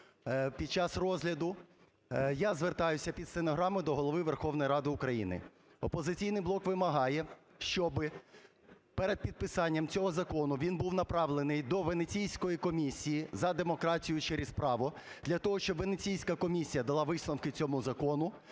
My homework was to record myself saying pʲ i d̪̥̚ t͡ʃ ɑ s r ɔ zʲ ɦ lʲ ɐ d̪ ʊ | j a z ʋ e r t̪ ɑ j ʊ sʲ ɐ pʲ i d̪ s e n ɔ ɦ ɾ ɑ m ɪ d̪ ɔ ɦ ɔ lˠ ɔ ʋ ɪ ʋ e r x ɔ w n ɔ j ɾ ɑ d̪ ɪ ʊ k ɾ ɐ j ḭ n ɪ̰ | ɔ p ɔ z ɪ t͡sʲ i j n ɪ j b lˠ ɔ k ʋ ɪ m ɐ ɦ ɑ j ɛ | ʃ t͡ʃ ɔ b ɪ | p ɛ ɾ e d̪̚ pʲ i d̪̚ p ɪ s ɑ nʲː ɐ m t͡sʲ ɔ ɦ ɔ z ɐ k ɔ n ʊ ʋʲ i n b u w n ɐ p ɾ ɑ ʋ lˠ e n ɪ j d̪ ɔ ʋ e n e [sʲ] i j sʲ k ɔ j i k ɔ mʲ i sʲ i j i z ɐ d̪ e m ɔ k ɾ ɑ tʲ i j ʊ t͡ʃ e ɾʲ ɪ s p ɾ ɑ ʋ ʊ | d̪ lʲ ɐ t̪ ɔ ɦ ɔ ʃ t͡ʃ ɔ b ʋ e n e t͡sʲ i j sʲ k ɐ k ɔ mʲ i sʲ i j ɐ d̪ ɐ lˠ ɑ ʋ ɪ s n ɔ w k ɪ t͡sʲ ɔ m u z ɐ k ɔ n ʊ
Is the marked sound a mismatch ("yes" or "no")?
yes